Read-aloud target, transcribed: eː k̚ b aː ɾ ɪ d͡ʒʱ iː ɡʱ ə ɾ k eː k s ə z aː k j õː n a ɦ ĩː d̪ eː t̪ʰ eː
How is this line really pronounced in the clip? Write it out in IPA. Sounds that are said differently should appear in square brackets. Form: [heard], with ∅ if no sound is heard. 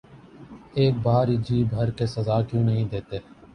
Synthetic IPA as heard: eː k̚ b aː ɾ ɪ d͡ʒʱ iː [bʱ] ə ɾ k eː [∅] s ə z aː k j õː n [ə] ɦ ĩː d̪ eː [t̪] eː